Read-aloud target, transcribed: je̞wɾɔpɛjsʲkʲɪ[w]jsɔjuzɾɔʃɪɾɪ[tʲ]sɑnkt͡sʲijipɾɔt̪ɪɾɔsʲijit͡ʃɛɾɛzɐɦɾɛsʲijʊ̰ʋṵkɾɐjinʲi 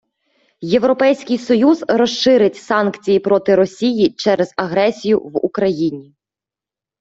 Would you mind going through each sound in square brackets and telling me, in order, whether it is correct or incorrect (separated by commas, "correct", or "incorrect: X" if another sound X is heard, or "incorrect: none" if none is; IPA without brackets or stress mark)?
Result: incorrect: none, correct